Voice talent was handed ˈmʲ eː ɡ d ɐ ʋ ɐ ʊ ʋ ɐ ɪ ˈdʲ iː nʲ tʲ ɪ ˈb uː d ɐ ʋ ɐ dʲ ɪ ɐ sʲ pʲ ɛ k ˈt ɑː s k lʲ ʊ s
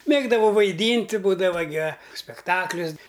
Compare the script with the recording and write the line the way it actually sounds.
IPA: ˈmʲ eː ɡ d ɐ ʋ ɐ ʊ ʋ ɐ ɪ ˈdʲ iː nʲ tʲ ɪ ˈb uː d ɐ ʋ ɐ ɡʲ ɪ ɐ sʲ pʲ ɛ k ˈt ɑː k lʲ ʊ s